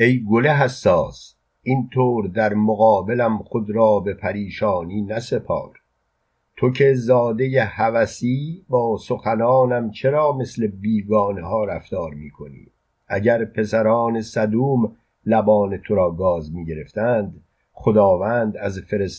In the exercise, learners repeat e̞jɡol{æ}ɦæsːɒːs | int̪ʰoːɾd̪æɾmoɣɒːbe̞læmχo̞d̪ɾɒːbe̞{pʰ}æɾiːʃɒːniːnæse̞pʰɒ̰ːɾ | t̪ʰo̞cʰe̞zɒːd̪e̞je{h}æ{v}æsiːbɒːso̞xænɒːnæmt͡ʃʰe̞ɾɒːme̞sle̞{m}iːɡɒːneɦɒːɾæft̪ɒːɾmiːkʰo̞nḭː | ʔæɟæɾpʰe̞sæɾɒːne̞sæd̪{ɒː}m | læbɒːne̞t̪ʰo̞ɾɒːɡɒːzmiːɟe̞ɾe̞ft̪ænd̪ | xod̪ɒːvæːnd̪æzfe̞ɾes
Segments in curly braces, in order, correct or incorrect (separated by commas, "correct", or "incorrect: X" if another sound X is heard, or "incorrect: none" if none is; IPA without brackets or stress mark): incorrect: e, correct, correct, correct, incorrect: b, incorrect: uː